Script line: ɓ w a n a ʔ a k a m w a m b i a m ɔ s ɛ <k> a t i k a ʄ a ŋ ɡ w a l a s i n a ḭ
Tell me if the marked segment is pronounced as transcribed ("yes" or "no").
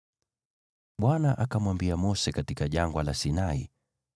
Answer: yes